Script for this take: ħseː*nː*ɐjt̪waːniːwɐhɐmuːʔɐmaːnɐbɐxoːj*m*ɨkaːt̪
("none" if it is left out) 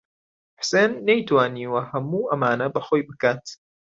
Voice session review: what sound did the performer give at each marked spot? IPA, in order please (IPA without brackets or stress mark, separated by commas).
nː, b